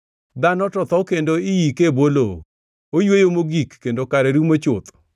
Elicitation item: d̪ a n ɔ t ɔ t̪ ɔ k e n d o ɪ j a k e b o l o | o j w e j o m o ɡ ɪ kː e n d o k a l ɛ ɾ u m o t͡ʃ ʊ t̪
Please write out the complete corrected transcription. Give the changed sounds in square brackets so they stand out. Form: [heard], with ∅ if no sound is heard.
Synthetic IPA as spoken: d̪ a n ɔ t ɔ t̪ ɔ k e n d o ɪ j [i] k e b o l o | o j w e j o m o ɡ [i] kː e n d o k a [ɾ] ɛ ɾ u m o t͡ʃ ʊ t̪